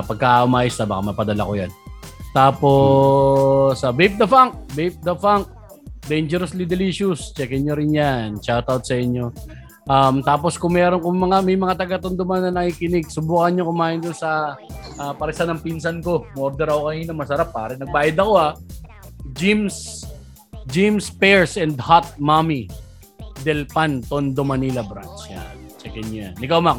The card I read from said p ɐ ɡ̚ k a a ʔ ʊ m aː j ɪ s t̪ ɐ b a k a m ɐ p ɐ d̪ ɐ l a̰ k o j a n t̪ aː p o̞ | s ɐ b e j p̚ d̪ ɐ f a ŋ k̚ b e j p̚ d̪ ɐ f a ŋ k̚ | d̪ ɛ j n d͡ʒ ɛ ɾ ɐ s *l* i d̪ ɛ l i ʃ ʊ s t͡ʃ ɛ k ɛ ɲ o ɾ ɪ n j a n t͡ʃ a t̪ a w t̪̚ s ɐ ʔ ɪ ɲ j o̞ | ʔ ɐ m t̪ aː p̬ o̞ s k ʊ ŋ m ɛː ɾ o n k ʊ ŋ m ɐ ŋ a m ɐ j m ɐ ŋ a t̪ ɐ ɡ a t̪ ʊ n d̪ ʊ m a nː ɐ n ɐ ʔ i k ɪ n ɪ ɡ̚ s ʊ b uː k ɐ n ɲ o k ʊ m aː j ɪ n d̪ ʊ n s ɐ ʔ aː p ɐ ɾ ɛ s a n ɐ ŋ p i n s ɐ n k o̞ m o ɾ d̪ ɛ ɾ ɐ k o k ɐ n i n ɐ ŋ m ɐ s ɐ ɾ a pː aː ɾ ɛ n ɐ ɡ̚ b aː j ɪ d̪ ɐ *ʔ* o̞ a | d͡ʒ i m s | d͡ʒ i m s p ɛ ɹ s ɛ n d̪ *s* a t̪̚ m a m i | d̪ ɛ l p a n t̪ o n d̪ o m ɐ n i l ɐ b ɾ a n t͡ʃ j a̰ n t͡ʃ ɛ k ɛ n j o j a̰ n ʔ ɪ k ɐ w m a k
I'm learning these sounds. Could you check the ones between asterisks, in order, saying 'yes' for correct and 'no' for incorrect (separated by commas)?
yes, no, no